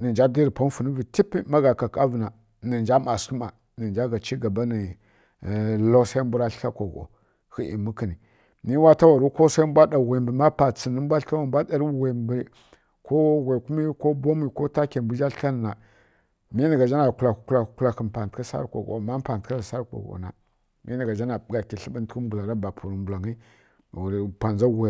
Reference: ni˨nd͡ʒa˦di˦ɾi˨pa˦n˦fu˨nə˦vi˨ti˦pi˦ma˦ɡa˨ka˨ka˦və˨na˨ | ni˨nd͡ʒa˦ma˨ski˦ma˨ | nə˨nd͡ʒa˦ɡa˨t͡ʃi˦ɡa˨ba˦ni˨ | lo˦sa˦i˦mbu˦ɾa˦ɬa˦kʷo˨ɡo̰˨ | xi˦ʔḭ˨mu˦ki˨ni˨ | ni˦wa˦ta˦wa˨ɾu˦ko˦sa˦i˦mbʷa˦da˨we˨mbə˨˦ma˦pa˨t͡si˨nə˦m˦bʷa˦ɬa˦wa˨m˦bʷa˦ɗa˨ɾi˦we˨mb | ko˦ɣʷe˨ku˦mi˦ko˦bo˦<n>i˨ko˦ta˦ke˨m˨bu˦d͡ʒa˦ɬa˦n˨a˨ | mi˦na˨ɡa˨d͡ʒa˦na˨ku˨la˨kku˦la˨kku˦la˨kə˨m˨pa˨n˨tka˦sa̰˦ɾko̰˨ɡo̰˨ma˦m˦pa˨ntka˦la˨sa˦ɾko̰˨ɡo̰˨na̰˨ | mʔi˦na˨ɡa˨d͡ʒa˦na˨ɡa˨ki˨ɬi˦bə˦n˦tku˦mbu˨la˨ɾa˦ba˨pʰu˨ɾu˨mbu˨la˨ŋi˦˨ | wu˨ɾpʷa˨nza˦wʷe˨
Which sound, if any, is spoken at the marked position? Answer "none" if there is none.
m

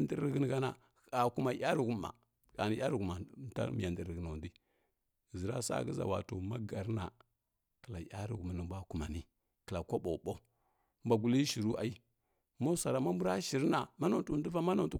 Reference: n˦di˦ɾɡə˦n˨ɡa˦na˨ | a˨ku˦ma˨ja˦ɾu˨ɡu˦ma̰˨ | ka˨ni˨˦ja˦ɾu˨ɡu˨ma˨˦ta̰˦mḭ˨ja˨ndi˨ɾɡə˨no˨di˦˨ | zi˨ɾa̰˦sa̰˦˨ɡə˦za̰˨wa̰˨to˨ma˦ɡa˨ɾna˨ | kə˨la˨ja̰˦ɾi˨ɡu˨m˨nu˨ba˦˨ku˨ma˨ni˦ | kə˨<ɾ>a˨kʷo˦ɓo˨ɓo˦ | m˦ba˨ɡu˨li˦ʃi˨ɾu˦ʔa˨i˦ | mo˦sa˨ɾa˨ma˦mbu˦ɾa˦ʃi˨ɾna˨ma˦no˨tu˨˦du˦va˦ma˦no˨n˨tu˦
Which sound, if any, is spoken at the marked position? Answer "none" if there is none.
l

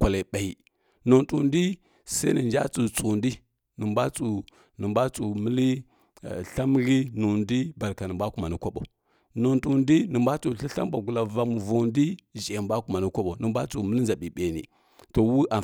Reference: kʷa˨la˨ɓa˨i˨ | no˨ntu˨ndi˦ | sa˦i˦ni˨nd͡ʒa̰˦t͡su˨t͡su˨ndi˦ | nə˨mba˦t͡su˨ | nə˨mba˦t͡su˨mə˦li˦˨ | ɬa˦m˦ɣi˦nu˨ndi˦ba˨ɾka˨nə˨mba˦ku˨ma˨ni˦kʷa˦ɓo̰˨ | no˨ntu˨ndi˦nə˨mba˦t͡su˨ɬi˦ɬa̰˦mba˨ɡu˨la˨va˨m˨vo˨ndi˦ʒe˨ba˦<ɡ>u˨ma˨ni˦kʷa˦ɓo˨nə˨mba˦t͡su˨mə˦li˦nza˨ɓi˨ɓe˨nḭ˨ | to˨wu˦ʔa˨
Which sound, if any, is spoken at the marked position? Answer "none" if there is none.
k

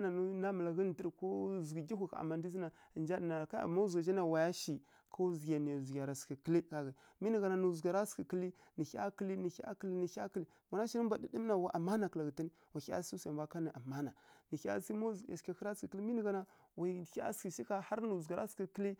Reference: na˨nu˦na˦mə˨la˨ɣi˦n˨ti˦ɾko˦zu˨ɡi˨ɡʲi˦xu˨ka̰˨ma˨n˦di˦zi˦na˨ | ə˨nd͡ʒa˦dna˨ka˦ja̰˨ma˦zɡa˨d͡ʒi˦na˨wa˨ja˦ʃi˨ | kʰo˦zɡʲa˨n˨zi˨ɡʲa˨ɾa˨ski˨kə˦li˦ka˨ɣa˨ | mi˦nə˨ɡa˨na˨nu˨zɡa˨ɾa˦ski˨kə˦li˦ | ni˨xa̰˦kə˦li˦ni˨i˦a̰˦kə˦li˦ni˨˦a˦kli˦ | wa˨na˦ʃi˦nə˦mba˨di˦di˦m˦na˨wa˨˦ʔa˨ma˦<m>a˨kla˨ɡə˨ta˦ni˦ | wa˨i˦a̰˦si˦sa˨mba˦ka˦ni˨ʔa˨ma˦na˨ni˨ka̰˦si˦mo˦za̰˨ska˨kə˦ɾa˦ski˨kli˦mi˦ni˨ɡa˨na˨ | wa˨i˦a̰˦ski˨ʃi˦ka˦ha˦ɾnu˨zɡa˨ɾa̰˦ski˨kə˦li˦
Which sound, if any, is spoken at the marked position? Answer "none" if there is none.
n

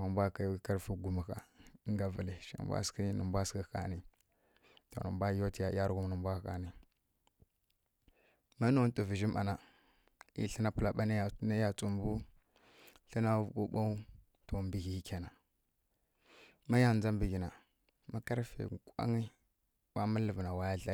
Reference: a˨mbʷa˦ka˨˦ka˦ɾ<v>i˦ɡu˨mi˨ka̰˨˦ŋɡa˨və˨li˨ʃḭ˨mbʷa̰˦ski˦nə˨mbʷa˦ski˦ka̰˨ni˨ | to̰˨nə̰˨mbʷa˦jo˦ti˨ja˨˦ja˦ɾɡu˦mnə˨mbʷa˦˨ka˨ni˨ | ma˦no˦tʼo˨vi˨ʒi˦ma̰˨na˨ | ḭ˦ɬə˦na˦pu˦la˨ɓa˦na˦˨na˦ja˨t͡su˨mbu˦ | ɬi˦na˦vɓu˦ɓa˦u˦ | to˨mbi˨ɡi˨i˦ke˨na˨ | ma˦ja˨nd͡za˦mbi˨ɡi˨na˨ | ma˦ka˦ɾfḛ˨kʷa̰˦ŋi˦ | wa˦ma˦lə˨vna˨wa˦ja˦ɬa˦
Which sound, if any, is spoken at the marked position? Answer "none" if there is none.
f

